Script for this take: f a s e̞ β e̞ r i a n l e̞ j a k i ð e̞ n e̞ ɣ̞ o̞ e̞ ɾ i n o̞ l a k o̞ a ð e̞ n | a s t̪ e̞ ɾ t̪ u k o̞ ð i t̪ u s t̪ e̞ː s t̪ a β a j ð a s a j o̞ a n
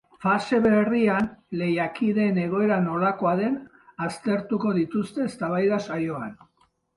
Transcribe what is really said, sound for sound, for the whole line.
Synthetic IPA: f a s e̞ β e̞ r i a n l e̞ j a k i ð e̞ n e̞ ɣ̞ o̞ e̞ ɾ a n o̞ l a k o̞ a ð e̞ n | a s t̪ e̞ ɾ t̪ u k o̞ ð i t̪ u s t̪ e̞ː s t̪ a β a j ð a s a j o̞ a n